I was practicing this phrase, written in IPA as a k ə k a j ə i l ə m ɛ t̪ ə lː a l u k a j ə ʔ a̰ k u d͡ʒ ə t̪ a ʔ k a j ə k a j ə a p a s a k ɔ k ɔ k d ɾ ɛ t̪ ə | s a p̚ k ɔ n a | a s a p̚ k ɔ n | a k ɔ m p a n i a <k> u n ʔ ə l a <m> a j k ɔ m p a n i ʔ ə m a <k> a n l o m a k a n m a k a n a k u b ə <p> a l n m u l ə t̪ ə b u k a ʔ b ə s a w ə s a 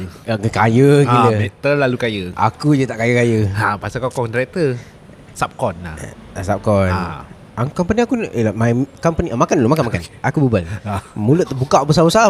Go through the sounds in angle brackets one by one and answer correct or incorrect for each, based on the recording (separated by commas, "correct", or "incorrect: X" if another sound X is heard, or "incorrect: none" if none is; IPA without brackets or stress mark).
correct, correct, correct, incorrect: b